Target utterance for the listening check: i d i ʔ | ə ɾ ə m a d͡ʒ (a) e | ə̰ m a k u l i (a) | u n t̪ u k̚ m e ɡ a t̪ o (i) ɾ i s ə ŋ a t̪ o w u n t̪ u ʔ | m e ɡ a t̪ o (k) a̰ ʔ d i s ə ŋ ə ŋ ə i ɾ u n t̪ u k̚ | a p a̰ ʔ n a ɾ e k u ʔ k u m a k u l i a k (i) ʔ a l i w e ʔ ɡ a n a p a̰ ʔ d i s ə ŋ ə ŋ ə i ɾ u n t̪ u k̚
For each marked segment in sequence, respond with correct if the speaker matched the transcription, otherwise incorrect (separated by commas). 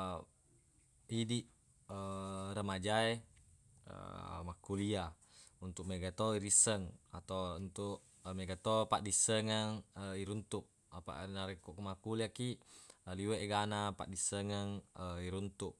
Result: correct, correct, correct, incorrect, correct